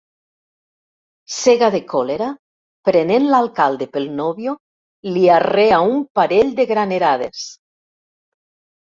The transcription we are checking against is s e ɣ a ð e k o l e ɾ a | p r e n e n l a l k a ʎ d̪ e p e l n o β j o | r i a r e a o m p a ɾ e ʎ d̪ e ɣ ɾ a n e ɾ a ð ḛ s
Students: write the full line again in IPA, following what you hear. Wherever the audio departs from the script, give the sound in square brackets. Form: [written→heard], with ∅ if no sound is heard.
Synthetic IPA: s e ɣ a ð e k o l e ɾ a | p [r→ɾ] e n e n l a l k a [ʎ→l] d̪ e p e l n o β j o | [r→l] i a r e a [o→u] m p a ɾ e ʎ d̪ e ɣ ɾ a n e ɾ a ð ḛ s